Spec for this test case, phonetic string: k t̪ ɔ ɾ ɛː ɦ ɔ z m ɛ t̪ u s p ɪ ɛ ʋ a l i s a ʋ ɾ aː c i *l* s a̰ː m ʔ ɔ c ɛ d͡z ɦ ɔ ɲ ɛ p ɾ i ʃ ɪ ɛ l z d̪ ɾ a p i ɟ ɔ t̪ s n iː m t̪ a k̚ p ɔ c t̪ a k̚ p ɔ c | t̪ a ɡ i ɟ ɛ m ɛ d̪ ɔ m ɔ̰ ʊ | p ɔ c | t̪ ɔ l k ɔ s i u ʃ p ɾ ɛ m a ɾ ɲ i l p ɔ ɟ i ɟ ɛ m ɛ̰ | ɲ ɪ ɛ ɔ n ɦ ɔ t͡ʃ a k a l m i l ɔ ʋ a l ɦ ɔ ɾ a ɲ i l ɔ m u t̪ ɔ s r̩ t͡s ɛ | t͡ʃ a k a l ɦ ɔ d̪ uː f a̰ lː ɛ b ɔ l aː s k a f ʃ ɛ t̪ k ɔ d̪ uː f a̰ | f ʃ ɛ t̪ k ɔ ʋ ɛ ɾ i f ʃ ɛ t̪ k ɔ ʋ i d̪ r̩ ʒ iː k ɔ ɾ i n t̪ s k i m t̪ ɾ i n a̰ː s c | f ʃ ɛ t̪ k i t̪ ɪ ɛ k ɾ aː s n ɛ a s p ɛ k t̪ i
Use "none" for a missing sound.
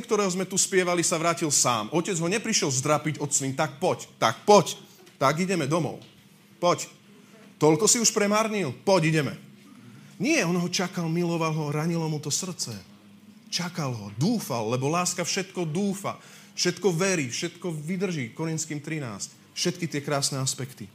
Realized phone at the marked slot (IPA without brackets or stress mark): l